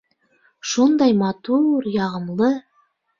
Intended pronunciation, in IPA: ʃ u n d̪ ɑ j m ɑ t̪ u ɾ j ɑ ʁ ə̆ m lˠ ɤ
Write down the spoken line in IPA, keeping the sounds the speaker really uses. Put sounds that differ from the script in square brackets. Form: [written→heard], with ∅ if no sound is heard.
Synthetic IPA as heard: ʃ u n d̪ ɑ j m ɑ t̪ u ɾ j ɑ ʁ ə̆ m lˠ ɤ